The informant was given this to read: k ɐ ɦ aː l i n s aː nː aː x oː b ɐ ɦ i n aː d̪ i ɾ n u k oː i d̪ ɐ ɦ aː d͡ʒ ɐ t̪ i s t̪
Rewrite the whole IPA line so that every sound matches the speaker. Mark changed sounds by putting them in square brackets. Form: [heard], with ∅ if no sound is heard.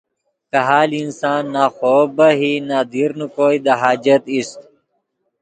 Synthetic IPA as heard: k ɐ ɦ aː l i n s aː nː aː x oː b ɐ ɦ i n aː d̪ i ɾ n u k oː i d̪ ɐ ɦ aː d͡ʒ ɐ t̪ i s t̪